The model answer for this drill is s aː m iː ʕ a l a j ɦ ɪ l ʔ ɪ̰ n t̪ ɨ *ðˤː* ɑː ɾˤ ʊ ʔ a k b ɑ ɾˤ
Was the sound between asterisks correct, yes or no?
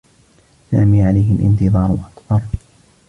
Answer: no